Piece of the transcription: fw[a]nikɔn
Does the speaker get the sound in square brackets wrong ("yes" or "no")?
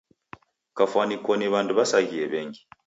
no